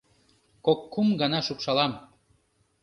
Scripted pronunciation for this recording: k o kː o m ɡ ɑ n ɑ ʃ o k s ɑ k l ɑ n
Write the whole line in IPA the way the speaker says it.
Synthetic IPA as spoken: k o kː u m ɡ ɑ n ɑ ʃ u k ʃ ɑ l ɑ m